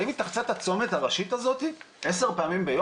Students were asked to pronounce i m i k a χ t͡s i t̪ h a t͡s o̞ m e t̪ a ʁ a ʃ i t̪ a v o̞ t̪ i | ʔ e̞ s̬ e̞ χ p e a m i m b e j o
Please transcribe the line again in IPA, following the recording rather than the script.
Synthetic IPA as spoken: i m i t a χ t͡s a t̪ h a t͡s o̞ m e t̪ a ʁ a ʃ i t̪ a z o̞ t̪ i | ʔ e̞ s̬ e̞ ʁ p e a m i m b e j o

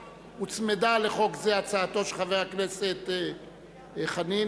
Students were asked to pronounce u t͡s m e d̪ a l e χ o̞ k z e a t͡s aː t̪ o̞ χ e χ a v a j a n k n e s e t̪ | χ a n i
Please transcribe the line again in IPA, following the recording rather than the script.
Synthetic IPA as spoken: u t͡s m e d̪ a l e χ o̞ k z e a t͡s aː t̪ o̞ ʃ e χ a v e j a k n e s e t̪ | χ a n i

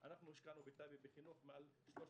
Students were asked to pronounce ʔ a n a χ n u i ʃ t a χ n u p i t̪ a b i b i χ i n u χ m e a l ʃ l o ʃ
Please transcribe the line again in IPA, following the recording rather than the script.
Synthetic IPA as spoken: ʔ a n a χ n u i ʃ k a n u b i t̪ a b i b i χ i n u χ m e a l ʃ l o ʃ

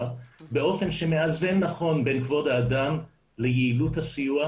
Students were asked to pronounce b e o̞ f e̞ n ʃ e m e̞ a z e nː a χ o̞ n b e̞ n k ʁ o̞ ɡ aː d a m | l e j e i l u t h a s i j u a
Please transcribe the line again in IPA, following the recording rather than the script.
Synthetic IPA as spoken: b e o̞ f e̞ n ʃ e m e̞ a z e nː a χ o̞ n b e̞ n k v o̞ d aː d a m | l e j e i l u t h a s i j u a

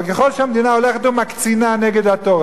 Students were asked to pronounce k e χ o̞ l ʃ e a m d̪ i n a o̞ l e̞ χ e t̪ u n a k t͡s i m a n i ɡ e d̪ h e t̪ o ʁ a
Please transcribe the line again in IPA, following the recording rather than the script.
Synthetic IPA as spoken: k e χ o̞ l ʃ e a m d̪ i n a o̞ l e̞ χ e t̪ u m a k t͡s i n a n e ɡ e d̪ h a t̪ o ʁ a

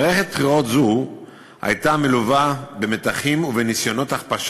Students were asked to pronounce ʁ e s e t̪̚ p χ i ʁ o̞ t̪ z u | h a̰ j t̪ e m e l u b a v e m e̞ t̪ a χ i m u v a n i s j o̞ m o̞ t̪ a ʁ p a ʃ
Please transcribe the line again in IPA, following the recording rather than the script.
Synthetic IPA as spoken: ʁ e χ e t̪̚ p χ i ʁ o̞ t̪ z u | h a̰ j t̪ a m e l u v a b e m e̞ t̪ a χ i m u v e n i s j o̞ n o̞ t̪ a χ p a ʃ

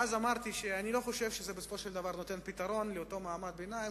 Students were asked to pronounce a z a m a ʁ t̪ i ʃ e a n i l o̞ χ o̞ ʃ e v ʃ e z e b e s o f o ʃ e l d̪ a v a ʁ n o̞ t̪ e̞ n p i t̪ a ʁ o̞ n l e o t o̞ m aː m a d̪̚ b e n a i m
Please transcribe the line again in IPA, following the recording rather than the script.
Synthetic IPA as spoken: a z a m a ʁ t̪ i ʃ e a n i l o̞ χ o̞ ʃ e v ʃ e z e b e s o f o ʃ e l d̪ a v a ʁ n o̞ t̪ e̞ n p i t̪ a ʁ o̞ n l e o t o̞ m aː m a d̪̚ b e n a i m

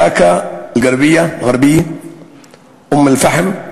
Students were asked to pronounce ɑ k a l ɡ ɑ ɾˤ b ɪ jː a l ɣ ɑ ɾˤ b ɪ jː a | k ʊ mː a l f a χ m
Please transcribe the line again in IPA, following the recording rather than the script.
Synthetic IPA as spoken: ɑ k a l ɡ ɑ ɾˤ b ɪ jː a l ɣ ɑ ɾˤ b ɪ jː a | ʔ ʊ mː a l f a ħ m

